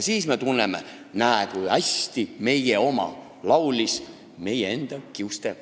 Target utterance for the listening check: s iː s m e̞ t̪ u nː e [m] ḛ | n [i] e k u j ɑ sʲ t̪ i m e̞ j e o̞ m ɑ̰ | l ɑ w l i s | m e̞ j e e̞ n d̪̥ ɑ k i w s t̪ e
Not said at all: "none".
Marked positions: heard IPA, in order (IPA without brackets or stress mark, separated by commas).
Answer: m, æ